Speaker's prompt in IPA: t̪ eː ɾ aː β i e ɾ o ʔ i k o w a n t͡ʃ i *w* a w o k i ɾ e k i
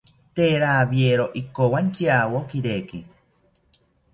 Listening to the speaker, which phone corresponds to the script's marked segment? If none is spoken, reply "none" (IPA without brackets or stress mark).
none